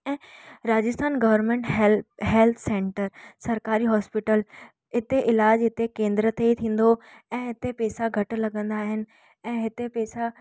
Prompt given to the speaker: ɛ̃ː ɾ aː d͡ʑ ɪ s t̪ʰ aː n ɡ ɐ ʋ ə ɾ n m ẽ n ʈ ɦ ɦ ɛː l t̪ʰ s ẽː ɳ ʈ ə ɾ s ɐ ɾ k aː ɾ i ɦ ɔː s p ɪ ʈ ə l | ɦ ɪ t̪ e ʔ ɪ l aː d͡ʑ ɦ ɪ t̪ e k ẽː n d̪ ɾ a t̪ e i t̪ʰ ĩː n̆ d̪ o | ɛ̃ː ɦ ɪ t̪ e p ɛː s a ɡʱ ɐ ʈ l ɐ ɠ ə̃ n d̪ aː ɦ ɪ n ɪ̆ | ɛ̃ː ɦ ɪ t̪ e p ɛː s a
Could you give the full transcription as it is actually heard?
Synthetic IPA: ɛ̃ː ɾ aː d͡ʑ ɪ s t̪ʰ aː n ɡ ɐ ʋ ə ɾ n m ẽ ɳ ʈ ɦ ɦ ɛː l t̪ʰ s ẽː ɳ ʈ ə ɾ s ɐ ɾ k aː ɾ i ɦ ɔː s p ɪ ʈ ə l | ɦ ɪ t̪ e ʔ ɪ l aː d͡ʑ ɦ ɪ t̪ e k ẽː n d̪ ɾ ə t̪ e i t̪ʰ ĩː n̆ d̪ o | ɛ̃ː ɦ ɪ t̪ e p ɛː s a ɡʱ ɐ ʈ l ɐ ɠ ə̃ n d̪ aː ɦ ɪ n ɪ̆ | ɛ̃ː ɦ ɪ t̪ e p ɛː s a

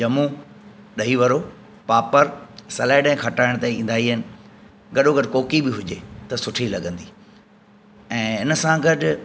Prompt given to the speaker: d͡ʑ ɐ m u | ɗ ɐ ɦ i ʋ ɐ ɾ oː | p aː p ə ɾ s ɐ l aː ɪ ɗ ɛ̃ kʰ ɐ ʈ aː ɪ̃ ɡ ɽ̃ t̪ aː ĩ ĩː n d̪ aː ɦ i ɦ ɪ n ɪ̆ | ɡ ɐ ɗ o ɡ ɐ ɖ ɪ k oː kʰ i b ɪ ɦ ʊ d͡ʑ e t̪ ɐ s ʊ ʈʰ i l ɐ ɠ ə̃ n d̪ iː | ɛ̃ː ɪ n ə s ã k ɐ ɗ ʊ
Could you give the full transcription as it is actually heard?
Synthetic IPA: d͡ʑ ɐ m u | ɗ ɐ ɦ i ʋ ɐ ɾ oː | p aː p ə ɾ s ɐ l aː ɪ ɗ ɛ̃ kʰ ɐ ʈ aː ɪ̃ ɽ̃ t̪ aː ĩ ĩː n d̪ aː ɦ i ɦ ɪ n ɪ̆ | ɡ ɐ ɗ o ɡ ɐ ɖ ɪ k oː k i b ɪ ɦ ʊ d͡ʑ e t̪ ɐ s ʊ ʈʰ i l ɐ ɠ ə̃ n d̪ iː | ɛ̃ː ɪ n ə s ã ɡ ɐ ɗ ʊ

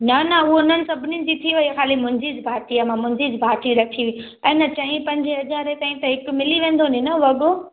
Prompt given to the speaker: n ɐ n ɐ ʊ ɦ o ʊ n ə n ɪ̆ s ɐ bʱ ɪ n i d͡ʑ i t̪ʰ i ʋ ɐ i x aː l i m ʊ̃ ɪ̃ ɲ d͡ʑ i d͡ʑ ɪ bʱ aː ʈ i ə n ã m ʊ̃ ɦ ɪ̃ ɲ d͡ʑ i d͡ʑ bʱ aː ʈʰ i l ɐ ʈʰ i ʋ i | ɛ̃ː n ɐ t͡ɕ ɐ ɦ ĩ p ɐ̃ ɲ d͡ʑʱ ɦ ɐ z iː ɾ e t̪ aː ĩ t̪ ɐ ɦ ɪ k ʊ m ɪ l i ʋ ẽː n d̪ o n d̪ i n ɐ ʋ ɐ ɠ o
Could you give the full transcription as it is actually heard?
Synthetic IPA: n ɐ n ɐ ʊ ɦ o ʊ n ə n ɪ̆ s ɐ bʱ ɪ n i d͡ʑ i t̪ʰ i ʋ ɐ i x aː l i m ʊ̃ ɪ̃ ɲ d͡ʑ i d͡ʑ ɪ bʱ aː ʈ i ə m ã m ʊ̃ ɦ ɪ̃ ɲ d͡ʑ i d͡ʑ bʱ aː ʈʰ i ɾ ɐ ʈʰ i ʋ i | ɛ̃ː n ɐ t͡ɕ ɐ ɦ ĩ p ɐ̃ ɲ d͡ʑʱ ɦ ɐ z aː ɾ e t̪ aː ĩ t̪ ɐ ɦ ɪ k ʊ m ɪ l i ʋ ẽː n d̪ o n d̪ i n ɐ ʋ ɐ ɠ o

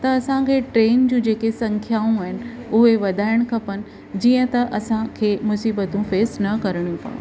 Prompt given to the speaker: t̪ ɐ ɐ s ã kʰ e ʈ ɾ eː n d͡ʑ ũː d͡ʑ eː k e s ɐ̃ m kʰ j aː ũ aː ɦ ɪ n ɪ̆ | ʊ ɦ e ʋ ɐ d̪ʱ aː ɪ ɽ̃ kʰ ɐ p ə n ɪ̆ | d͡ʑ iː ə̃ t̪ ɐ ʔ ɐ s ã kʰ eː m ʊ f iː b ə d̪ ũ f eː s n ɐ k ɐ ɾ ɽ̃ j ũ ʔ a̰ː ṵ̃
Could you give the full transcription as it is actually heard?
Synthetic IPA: t̪ ɐ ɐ s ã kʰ e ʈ ɾ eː n d͡ʑ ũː d͡ʑ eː k e s ɐ̃ ŋ kʰ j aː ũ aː ɦ ɪ n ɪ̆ | ʊ ɦ e ʋ ɐ d̪ʱ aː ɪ ɽ̃ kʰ ɐ p ə n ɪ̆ | d͡ʑ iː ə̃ t̪ ɐ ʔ ɐ s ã kʰ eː m ʊ s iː b ə t̪ ũ f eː s n ɐ k ɐ ɾ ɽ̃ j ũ p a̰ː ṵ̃

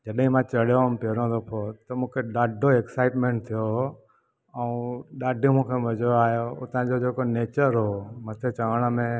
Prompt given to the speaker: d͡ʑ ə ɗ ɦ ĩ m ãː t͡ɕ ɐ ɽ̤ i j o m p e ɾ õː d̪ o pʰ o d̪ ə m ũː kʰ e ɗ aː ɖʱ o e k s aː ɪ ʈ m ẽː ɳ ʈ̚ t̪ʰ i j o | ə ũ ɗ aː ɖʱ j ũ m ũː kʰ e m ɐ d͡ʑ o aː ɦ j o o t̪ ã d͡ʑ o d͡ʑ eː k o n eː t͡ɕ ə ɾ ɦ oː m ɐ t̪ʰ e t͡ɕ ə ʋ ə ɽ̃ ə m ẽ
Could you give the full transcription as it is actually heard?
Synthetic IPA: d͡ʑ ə ɗ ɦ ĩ m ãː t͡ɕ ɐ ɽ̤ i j o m p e ɾ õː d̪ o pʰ o t̪ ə m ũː kʰ e ɗ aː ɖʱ o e k s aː ɪ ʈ m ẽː ɳ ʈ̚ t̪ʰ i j o | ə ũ ɗ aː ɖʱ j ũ m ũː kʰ e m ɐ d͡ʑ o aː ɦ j o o t̪ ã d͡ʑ o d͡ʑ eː k o n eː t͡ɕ ə ɾ ɦ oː m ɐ t̪ʰ e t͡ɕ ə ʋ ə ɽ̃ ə m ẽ

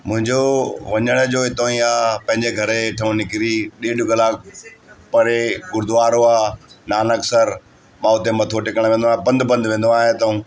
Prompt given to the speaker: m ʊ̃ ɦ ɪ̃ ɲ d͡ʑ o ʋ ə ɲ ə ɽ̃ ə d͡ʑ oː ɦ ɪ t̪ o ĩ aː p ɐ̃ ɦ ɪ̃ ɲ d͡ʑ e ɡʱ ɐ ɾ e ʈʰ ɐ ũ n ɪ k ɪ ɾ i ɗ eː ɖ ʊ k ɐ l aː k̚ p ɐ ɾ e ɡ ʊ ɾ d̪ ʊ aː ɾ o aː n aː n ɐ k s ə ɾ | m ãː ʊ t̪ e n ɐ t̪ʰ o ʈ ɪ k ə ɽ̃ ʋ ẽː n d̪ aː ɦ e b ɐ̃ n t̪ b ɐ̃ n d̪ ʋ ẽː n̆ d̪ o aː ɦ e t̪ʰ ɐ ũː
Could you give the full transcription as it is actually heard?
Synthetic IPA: m ʊ̃ ɦ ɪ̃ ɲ d͡ʑ o ʋ ɐ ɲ ə ɽ̃ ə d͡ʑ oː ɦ ɪ t̪ o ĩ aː p ɐ̃ ɦ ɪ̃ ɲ d͡ʑ e ɡʱ ɐ ɾ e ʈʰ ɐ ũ n ɪ k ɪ ɾ i ɗ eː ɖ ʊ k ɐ l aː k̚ p ɐ ɾ e ɡ ʊ ɾ d̪ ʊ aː ɾ o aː n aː n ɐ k s ə ɾ | m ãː ʊ t̪ e m ɐ t̪ʰ o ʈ ɪ k ə ɽ̃ ʋ ẽː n d̪ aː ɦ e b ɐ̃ n d̪ b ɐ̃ n d̪ ʋ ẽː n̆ d̪ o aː ɦ e t̪ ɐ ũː

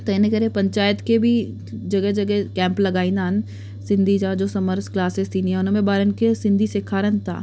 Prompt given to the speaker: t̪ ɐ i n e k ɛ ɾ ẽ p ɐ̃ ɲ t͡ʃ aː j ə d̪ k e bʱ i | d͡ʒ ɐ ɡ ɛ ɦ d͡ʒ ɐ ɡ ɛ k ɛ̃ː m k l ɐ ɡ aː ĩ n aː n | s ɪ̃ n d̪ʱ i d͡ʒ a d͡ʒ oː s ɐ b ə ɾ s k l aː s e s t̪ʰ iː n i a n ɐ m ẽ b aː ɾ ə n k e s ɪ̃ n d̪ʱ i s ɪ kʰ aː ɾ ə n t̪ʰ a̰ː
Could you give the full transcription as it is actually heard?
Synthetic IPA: t̪ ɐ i n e k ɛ ɾ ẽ p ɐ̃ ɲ t͡ʃ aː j ə t̪ k e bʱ i | d͡ʒ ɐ ɡ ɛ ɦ d͡ʒ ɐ ɡ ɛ k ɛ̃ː m p l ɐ ɡ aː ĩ n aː n | s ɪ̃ n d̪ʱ i d͡ʒ a d͡ʒ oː s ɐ m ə ɾ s k l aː s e s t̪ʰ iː n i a n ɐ m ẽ b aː ɾ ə n k e s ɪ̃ n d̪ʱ i s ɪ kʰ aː ɾ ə n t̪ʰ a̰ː

